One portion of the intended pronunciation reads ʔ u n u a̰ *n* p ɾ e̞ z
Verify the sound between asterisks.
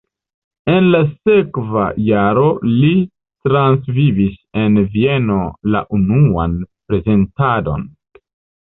correct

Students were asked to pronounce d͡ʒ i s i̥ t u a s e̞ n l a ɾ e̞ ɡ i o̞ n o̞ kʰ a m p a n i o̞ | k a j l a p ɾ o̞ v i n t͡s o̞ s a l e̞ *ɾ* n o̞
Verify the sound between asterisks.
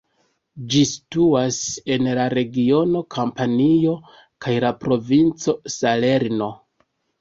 correct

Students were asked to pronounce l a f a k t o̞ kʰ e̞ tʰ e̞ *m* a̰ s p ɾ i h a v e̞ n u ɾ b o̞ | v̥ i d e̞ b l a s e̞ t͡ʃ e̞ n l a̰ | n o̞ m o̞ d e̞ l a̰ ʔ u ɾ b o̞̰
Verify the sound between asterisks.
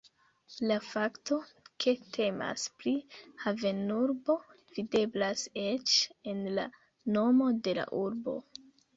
correct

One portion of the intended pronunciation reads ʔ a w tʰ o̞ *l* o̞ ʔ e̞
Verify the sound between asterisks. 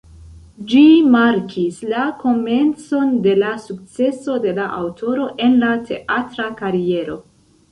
incorrect: ɾ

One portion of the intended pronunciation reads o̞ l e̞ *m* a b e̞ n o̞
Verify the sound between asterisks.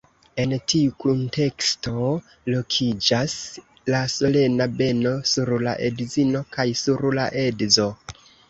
incorrect: n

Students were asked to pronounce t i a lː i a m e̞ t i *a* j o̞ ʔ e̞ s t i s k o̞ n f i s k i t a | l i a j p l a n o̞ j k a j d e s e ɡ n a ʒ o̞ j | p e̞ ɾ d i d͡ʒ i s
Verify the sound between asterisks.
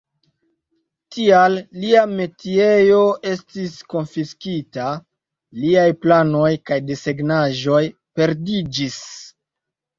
incorrect: e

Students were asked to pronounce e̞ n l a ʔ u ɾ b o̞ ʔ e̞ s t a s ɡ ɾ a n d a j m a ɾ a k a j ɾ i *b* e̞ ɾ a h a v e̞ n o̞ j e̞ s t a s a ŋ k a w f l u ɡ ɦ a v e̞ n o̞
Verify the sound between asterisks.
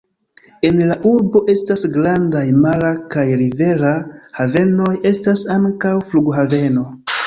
incorrect: v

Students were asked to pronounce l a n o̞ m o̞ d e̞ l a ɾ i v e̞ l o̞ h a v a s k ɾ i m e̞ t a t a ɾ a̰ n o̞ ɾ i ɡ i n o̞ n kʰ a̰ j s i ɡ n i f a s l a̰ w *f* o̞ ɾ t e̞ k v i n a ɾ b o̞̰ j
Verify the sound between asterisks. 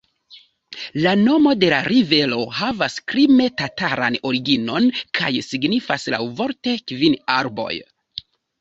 incorrect: v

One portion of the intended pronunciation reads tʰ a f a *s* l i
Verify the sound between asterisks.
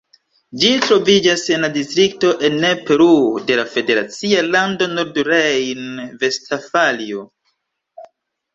incorrect: none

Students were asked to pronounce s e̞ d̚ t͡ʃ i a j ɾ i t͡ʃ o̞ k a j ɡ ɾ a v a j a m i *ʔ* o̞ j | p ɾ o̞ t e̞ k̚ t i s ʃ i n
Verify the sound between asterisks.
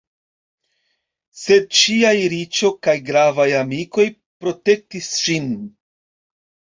incorrect: k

